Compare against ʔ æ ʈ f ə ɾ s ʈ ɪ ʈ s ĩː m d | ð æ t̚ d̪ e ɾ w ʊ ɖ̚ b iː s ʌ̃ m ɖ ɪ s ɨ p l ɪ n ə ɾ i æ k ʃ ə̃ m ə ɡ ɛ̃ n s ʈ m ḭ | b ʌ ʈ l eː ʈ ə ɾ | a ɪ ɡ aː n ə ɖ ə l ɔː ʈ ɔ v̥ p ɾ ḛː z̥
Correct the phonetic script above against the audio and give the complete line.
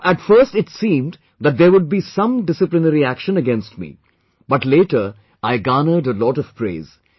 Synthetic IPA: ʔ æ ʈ f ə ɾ s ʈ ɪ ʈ s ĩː m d | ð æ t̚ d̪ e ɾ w ʊ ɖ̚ b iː s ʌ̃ m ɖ ɪ s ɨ p l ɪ n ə ɾ i æ k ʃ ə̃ n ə ɡ ɛ̃ n s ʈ m ḭ | b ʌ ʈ l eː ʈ ə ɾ | a ɪ ɡ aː n ə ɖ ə l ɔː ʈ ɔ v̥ p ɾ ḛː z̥